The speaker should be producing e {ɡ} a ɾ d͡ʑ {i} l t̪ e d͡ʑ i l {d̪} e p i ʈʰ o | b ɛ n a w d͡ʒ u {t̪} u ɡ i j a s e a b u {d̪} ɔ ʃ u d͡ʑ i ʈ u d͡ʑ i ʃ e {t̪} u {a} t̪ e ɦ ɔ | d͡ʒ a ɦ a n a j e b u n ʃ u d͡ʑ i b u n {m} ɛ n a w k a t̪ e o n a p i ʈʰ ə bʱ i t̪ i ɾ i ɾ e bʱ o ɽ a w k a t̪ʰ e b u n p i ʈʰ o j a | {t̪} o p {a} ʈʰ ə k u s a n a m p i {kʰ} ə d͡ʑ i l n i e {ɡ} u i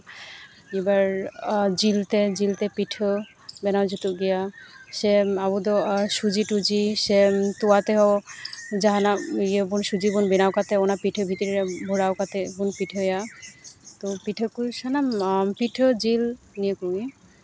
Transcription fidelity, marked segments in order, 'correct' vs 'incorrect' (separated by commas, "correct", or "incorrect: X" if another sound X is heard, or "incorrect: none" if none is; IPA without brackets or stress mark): incorrect: b, correct, incorrect: t̪, correct, correct, correct, correct, incorrect: b, correct, incorrect: i, incorrect: ʈʰ, incorrect: k